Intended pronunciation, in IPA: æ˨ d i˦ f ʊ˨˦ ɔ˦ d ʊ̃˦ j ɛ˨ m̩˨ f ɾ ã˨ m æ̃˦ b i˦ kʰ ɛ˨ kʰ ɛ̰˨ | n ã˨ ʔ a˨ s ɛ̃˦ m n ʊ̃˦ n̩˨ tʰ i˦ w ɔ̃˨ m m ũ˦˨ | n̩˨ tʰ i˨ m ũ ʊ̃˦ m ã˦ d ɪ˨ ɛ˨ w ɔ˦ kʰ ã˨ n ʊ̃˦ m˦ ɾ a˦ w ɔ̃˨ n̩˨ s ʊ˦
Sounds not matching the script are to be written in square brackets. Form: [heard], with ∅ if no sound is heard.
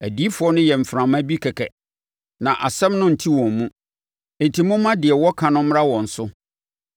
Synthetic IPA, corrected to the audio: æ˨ d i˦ f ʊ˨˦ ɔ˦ [n] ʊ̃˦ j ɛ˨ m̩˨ f ɾ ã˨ m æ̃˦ b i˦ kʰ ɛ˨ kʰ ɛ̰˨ | n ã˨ ʔ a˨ s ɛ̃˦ m n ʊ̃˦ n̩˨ tʰ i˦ w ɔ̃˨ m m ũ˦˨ | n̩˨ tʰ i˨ m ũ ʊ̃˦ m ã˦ d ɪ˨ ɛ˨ w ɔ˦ kʰ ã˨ n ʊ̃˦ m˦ ɾ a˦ w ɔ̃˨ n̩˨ s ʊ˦